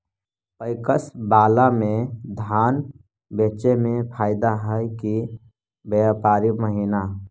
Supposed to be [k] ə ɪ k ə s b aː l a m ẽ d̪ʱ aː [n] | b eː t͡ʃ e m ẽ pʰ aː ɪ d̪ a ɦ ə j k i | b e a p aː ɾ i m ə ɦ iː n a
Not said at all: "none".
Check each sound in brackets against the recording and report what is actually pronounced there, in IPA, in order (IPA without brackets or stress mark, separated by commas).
p, n